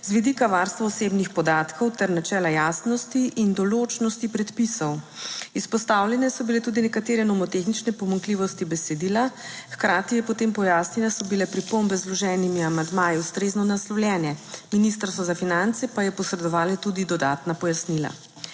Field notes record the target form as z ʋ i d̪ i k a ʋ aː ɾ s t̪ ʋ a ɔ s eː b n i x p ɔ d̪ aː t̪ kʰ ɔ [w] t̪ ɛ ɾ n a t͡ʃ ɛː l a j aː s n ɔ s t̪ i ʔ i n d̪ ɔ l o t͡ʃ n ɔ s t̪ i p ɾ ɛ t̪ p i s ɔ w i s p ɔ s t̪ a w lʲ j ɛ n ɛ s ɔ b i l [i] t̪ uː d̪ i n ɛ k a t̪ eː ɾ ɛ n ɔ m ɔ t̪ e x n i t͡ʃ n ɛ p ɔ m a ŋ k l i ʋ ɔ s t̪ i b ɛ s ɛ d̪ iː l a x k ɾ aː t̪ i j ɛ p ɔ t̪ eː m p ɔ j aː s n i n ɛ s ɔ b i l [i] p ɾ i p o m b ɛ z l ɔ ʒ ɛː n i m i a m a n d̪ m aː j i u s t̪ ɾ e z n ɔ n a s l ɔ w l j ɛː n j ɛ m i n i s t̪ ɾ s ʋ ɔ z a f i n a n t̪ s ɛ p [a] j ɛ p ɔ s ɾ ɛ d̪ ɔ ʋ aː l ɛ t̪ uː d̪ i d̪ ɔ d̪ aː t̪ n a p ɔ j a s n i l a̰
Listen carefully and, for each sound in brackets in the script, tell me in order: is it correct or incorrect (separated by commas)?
correct, incorrect, incorrect, correct